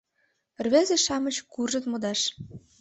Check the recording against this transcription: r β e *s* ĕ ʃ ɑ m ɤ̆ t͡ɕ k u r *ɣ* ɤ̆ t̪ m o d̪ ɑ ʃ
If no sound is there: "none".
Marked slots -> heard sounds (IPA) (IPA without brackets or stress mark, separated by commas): z, ʒ